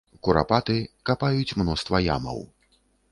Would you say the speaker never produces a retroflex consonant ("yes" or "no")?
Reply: yes